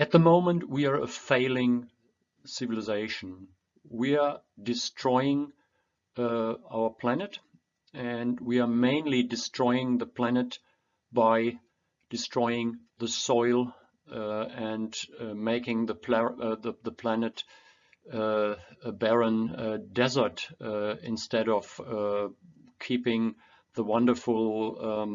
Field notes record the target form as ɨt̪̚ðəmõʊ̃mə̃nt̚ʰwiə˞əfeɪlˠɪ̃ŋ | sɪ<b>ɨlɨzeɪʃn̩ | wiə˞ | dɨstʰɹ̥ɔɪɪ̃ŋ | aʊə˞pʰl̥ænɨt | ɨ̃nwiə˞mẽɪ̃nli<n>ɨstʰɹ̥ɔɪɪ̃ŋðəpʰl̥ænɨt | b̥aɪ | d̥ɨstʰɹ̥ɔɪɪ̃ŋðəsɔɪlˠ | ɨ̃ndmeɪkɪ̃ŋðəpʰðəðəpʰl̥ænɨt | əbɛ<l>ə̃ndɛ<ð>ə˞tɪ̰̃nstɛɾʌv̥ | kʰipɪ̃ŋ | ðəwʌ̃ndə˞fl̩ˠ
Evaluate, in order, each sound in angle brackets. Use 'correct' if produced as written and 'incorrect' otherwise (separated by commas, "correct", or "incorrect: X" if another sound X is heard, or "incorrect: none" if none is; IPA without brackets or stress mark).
incorrect: v, incorrect: d, incorrect: ɹ, incorrect: z